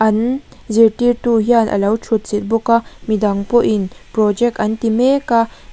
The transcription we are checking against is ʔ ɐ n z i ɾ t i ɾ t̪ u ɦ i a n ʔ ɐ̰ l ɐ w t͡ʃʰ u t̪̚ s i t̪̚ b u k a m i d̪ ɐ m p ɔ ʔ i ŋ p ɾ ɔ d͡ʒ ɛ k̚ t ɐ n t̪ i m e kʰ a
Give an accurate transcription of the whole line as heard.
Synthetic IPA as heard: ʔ ɐ n z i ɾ t i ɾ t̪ u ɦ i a n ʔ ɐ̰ l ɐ w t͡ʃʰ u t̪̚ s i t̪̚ b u k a m i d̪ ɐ ŋ p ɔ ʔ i n p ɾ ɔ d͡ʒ ɛ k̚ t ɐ n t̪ i m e k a